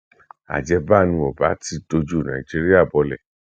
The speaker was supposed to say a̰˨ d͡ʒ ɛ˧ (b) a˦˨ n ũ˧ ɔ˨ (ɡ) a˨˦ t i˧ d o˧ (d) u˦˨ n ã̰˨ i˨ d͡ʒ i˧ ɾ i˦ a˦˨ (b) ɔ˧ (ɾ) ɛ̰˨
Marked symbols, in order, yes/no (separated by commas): yes, no, no, yes, no